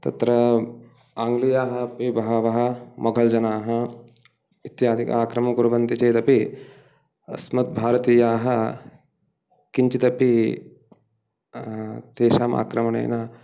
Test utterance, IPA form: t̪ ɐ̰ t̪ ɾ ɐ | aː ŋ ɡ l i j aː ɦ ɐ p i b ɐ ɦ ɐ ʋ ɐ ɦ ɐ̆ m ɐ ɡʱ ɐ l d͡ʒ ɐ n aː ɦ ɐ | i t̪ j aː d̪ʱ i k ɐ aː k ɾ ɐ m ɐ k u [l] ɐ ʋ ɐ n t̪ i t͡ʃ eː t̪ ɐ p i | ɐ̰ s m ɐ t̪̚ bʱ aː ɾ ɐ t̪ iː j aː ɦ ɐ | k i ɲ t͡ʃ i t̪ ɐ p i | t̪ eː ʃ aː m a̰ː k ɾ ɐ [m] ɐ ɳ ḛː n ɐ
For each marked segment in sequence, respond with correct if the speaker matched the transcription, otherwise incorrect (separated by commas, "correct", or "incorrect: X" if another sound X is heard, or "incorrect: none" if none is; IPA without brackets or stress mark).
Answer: incorrect: ɾ, correct